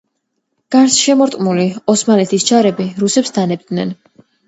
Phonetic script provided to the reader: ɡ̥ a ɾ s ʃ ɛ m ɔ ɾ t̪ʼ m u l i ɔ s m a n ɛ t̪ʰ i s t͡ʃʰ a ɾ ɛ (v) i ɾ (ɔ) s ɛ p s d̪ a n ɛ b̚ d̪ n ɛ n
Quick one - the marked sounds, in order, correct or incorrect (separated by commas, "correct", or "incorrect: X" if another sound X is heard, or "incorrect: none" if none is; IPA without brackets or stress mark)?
incorrect: b, incorrect: u